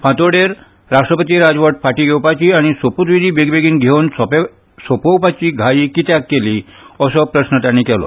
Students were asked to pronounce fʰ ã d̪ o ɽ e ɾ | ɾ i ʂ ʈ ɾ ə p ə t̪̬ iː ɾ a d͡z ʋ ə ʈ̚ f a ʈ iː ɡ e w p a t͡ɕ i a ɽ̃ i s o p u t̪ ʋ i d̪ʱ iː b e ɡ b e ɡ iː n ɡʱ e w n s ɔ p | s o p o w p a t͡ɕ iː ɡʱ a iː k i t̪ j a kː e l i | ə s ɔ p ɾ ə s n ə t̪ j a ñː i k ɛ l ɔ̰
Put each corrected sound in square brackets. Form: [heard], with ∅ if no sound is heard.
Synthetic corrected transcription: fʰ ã [t̪] o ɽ e ɾ | ɾ [a] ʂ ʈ ɾ ə p ə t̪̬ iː ɾ a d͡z ʋ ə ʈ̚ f a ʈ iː ɡ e w p a t͡ɕ i a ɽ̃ i s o p u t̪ ʋ i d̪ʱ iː b e ɡ b e ɡ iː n ɡʱ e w n s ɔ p | s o p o w p a t͡ɕ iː ɡʱ a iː k i t̪ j a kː e l i | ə s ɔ p ɾ ə s n ə t̪ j a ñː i k ɛ l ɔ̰

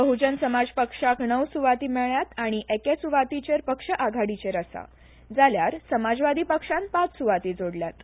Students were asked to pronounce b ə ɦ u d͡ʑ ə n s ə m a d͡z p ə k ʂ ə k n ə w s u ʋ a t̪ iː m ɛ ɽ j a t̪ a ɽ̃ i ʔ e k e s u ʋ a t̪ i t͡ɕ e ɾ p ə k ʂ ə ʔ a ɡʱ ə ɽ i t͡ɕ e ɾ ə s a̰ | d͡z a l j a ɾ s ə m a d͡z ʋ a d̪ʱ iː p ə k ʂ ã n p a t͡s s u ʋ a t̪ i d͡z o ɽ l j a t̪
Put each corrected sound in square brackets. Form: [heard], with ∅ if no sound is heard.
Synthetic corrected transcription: b ə ɦ u d͡ʑ ə n s ə m a d͡z p ə k ʂ [a] k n ə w s u ʋ a t̪ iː m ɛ [ɭ] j a t̪ a ɽ̃ i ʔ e k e s u ʋ a t̪ i t͡ɕ e ɾ p ə k ʂ ə ʔ a ɡʱ [a] ɽ i t͡ɕ e ɾ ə s a̰ | d͡z a l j a ɾ s ə m a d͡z ʋ a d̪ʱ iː p ə k ʂ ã n p a t͡s s u ʋ a t̪ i d͡z o ɽ l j a t̪

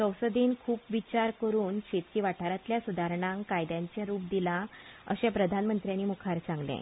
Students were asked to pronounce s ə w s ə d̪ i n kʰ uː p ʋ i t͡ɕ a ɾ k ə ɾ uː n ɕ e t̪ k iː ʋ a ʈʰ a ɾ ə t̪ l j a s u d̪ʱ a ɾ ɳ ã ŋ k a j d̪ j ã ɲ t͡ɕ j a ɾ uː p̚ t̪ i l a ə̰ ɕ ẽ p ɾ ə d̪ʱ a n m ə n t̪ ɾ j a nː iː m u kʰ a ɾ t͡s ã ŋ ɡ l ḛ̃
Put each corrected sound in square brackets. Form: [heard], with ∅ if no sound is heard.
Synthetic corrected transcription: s ə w s ə d̪ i n kʰ uː p ʋ i t͡ɕ a ɾ k ə ɾ uː n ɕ e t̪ k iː ʋ a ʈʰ a ɾ [a] t̪ l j a s u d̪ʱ a ɾ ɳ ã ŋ k a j d̪ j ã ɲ t͡ɕ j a ɾ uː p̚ [d̪] i l a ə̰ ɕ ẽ p ɾ ə d̪ʱ a n m ə n t̪ ɾ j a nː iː m u kʰ a ɾ t͡s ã ŋ ɡ l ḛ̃

